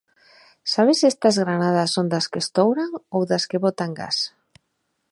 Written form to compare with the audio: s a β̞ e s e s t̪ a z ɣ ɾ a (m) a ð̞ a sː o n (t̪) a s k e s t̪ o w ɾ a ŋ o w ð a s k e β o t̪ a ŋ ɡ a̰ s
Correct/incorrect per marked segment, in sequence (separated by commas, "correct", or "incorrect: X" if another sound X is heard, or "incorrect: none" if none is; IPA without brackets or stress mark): incorrect: n, incorrect: d̪